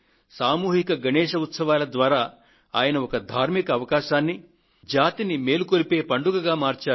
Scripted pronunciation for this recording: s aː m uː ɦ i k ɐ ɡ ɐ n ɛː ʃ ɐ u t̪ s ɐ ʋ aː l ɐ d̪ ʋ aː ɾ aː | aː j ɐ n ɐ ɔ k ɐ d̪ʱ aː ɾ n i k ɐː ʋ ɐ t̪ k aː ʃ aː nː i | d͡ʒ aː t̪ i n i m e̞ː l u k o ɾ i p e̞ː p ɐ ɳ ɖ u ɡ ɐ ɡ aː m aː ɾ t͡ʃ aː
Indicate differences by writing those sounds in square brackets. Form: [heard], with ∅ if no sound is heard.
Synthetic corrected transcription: s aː m uː ɦ i k ɐ ɡ ɐ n ɛː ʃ ɐ u t̪ s ɐ ʋ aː l ɐ d̪ ʋ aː ɾ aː | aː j ɐ n ɐ ɔ k ɐ d̪ʱ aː ɾ [m] i k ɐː ʋ ɐ [∅] k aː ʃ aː nː i | d͡ʒ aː t̪ i n i m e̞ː l u k o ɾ i p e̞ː p ɐ ɳ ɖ u ɡ ɐ ɡ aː m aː ɾ t͡ʃ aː